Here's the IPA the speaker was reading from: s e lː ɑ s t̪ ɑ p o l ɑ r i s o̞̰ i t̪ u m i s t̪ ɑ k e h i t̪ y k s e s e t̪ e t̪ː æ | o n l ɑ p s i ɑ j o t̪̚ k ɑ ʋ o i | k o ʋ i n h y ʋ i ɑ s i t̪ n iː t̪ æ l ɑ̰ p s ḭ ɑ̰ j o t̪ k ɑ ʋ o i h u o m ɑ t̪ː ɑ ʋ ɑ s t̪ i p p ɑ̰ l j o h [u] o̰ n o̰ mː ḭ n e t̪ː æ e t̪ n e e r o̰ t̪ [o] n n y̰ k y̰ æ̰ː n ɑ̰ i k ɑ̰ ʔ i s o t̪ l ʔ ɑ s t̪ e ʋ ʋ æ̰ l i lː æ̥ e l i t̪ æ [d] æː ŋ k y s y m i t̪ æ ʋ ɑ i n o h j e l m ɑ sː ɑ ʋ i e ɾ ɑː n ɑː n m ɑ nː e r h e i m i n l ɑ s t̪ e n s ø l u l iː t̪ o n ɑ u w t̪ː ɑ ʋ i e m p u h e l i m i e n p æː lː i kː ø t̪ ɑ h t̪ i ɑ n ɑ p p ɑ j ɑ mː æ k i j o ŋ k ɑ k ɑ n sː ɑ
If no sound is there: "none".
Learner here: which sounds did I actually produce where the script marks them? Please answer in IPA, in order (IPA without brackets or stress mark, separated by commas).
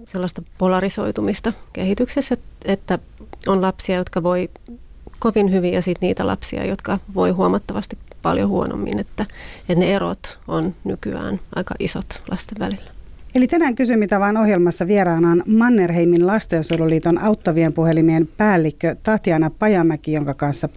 u, o, n